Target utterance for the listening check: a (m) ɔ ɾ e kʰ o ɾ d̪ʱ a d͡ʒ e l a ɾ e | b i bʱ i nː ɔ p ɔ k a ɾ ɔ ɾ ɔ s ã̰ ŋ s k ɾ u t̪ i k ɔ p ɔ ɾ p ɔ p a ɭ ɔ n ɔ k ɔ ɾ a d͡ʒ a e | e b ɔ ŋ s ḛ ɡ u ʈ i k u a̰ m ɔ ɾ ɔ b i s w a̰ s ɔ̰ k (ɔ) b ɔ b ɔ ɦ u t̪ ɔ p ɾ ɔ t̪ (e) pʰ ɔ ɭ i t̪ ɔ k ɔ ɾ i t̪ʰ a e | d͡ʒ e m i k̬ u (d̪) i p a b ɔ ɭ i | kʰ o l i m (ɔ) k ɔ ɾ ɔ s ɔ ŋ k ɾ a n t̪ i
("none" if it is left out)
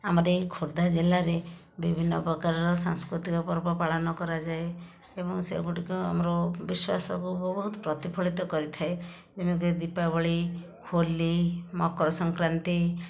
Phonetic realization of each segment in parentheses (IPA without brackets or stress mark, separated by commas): m, u, i, d̪, ɔ